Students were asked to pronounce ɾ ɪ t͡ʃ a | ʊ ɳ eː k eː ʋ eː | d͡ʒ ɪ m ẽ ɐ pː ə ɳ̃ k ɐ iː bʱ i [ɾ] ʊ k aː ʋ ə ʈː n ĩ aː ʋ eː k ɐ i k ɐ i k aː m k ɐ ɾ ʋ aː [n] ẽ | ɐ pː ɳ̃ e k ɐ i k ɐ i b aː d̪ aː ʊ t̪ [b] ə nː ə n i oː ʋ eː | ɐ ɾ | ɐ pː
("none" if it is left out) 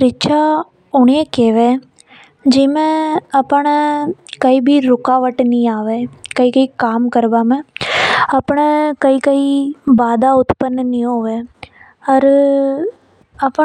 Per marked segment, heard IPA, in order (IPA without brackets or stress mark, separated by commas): ɾ, m, p